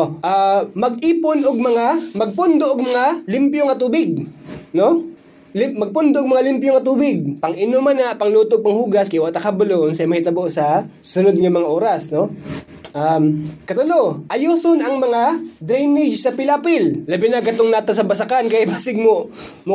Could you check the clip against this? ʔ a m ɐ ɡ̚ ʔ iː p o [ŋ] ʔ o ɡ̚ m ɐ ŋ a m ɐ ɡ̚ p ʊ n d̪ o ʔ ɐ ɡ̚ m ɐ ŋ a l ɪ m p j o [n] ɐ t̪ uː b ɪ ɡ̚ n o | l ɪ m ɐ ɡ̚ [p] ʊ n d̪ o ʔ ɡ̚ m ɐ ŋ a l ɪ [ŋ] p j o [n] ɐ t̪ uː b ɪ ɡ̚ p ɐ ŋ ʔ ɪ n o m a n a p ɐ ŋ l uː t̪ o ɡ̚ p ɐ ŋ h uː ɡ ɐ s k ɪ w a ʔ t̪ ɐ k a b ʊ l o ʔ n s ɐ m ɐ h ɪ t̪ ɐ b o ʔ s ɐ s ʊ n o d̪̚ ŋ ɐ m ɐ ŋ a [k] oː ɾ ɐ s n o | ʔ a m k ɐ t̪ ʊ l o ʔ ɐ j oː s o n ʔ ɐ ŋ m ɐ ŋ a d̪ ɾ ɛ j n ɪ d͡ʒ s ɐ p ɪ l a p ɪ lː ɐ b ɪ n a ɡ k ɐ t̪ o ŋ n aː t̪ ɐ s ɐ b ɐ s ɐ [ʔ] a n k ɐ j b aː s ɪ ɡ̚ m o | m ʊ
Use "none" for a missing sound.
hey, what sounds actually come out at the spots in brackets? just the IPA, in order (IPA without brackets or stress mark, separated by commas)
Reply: n, ŋ, p, m, ŋ, ʔ, k